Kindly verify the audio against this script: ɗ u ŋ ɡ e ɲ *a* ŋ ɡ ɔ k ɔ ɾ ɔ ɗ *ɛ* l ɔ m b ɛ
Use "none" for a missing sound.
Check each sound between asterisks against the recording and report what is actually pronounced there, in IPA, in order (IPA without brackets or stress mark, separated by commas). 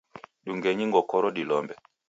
i, i